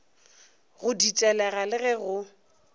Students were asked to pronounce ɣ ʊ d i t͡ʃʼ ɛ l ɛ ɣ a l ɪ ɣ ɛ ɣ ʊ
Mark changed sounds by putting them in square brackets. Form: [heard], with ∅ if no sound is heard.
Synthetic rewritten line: ɣ ʊ d i t͡ʃʼ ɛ l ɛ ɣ a l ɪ ɣ ɛ ɣ ʊ